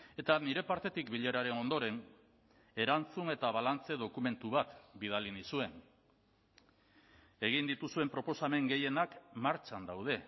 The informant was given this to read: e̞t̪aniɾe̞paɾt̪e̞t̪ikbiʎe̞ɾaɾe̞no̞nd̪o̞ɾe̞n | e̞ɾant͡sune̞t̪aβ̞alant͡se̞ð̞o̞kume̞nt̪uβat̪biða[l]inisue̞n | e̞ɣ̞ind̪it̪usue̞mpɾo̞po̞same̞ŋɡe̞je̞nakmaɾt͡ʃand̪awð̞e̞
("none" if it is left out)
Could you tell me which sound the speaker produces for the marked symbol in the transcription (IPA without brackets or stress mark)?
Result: l